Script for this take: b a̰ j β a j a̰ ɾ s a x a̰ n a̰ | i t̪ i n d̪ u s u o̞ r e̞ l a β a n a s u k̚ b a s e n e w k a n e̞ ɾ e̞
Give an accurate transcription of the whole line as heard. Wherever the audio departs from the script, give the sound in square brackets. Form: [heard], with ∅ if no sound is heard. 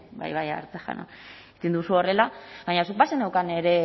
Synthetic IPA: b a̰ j β a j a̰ ɾ [t͡s] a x a̰ n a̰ | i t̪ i n d̪ u s u o̞ r e̞ l a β a [ɲ] a s u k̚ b a s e n e w k a n e̞ ɾ e̞